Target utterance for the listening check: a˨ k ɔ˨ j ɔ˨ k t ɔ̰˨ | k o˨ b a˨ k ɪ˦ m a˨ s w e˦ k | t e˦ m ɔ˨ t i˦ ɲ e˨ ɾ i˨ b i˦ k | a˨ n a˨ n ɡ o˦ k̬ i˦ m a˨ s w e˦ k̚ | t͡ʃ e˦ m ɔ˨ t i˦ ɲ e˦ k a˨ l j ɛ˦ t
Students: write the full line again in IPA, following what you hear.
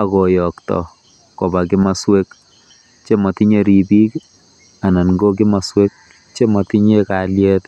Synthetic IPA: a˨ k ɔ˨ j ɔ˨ k t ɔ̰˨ | k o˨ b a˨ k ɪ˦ m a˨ s w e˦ k | t͡ʃ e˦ m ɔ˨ t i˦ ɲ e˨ ɾ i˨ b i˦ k | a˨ n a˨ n ɡ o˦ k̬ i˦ m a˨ s w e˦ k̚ | t͡ʃ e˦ m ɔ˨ t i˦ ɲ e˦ k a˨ l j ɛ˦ t